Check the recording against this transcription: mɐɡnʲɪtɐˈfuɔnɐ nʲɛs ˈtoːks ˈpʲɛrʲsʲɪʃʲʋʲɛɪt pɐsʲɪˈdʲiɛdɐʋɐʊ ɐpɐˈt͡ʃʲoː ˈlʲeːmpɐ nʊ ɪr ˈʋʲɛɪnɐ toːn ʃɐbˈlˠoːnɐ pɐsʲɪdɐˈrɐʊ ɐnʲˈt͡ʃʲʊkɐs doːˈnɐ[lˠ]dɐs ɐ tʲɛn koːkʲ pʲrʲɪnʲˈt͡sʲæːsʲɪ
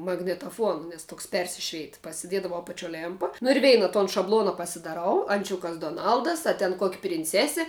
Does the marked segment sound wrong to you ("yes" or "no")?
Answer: no